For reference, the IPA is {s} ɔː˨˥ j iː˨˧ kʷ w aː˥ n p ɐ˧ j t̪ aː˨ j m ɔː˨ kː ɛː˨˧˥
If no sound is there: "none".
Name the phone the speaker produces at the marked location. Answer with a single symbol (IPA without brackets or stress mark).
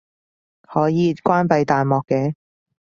h